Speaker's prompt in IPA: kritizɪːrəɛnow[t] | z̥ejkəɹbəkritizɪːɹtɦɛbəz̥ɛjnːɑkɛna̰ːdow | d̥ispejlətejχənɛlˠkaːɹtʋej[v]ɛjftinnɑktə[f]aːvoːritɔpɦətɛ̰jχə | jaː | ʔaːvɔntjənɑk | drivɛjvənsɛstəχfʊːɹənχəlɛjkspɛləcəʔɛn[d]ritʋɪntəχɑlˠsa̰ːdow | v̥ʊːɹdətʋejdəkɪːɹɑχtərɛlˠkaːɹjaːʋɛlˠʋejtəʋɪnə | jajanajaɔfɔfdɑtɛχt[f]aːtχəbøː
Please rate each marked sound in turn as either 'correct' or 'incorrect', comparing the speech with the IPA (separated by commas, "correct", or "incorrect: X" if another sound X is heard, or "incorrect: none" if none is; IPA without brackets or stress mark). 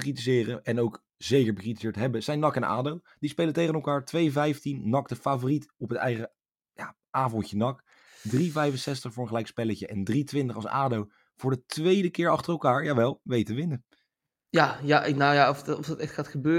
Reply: incorrect: k, correct, correct, correct, incorrect: χ